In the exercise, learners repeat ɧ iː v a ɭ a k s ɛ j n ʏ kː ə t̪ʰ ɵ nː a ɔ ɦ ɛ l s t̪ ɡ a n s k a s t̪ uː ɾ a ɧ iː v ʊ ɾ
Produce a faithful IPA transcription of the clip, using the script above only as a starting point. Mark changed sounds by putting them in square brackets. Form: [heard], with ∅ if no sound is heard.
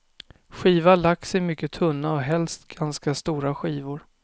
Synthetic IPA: ɧ iː v a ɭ a k s ɛ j [m] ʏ kː ə t̪ʰ ɵ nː a ɔ ɦ ɛ l s t̪ ɡ a n s k a s t̪ uː ɾ a ɧ iː v ʊ ɾ